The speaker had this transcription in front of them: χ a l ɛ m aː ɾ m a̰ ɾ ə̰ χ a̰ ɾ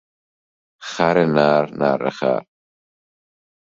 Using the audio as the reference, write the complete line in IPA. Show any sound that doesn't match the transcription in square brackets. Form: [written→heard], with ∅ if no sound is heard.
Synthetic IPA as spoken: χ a [l→ɾ] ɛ [m→n] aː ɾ [m→n] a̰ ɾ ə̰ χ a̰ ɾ

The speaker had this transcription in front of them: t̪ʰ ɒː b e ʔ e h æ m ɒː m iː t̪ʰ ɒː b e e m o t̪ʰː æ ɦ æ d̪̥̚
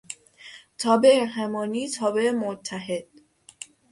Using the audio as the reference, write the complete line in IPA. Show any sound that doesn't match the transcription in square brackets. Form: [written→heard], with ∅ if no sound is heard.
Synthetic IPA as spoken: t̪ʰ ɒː b e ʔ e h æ m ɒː [m→n] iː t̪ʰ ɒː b e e m o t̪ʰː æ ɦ [æ→e] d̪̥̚

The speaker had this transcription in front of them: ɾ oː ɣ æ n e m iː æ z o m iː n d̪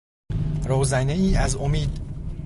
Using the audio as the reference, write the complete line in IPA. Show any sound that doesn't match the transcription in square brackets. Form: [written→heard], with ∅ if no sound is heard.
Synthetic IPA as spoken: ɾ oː [ɣ→z] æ n e [m→∅] iː æ z o m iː [n→∅] d̪

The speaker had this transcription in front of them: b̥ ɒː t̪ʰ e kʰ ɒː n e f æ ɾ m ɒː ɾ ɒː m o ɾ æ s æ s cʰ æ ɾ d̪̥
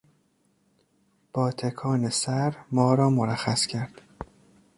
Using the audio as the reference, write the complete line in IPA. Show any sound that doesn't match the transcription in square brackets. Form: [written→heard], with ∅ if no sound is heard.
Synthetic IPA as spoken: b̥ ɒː t̪ʰ e kʰ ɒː n e [f→s] æ ɾ m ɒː ɾ ɒː m o ɾ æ [s→x] æ s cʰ æ ɾ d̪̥

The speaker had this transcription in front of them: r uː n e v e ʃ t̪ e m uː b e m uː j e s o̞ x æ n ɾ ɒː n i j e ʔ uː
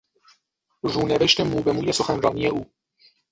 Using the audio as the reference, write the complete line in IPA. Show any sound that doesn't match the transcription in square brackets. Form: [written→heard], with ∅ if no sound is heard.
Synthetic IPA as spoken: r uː n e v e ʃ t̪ e m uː b e m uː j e s o̞ x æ n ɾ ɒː n i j e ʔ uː

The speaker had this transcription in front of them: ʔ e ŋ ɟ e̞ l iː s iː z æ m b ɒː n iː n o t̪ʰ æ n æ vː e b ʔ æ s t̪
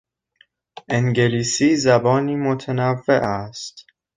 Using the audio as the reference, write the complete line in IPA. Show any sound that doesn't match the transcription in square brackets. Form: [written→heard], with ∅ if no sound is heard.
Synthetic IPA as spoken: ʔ e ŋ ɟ e̞ l iː s iː z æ [m→∅] b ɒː n iː [n→m] o t̪ʰ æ n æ vː e [b→∅] ʔ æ s t̪

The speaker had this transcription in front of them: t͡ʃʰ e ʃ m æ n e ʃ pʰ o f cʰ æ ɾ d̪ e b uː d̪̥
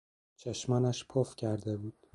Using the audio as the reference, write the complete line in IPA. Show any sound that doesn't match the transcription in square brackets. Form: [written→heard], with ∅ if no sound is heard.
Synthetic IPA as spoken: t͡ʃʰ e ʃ m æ n [e→æ] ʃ pʰ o f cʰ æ ɾ d̪ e b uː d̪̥

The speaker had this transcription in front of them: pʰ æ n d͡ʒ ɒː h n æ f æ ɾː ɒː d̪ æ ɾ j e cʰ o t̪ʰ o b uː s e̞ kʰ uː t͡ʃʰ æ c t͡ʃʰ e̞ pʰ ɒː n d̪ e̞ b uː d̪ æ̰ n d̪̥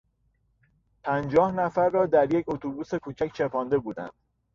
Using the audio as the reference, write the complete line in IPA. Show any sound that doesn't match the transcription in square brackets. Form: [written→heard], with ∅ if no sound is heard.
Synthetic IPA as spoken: pʰ æ n d͡ʒ ɒː h n æ f æ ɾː ɒː d̪ æ ɾ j e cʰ o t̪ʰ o b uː s e̞ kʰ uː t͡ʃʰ æ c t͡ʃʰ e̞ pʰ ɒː n d̪ e̞ b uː d̪ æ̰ n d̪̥

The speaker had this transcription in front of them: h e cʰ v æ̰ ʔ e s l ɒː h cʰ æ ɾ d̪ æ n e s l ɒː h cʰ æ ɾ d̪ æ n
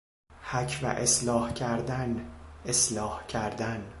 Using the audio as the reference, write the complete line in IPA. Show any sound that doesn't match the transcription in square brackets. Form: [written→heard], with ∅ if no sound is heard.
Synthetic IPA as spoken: h [e→æ] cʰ v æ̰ ʔ e s l ɒː h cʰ æ ɾ d̪ æ n e s l ɒː h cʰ æ ɾ d̪ æ n

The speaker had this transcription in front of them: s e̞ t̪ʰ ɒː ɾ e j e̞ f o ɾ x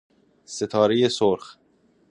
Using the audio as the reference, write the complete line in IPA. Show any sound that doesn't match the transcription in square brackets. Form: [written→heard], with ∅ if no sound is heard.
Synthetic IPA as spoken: s e̞ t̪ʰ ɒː ɾ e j e̞ [f→s] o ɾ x

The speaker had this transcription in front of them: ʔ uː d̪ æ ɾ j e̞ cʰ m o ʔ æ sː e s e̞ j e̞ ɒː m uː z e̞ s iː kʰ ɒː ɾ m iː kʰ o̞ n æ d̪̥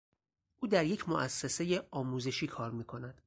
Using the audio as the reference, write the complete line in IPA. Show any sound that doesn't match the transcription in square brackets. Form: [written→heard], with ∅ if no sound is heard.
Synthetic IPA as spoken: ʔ uː d̪ æ ɾ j e̞ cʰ m o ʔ æ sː e s e̞ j e̞ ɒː m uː z e̞ [s→ʃ] iː kʰ ɒː ɾ m iː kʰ o̞ n æ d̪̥

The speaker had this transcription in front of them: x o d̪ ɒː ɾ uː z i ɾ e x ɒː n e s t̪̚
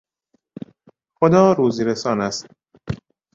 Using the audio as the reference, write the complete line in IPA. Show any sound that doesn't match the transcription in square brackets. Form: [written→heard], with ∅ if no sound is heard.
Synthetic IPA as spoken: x o d̪ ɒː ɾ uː z i ɾ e [x→s] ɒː n [e→æ] s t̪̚

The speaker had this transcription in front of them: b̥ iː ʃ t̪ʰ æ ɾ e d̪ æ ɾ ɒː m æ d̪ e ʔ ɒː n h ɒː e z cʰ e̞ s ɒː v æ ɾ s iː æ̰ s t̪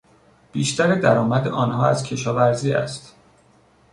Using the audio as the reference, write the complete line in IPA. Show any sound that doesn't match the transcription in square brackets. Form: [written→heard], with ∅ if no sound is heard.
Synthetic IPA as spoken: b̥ iː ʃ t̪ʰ æ ɾ e d̪ æ ɾ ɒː m æ d̪ e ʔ ɒː n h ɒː [e→æ] z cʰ e̞ [s→ʃ] ɒː v æ ɾ [s→z] iː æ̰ s t̪

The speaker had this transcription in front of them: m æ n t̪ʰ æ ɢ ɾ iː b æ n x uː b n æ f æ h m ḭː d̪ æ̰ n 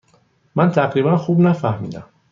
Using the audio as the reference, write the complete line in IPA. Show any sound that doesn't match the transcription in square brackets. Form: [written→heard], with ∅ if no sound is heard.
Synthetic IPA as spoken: m æ n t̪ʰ æ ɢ ɾ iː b æ n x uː b n æ f æ h m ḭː d̪ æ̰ [n→m]

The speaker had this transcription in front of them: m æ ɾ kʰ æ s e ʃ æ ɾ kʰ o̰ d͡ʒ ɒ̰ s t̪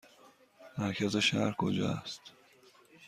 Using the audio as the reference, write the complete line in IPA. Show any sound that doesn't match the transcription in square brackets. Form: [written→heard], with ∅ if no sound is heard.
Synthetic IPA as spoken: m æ ɾ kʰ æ [s→z] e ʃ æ ɾ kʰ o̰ d͡ʒ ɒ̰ s t̪

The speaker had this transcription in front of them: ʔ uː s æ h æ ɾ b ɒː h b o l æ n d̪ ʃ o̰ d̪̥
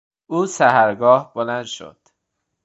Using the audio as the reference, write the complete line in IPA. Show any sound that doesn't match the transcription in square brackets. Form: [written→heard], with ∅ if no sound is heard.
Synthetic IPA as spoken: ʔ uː s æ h æ ɾ [b→ɡ] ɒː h b o l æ n d̪ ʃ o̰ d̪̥

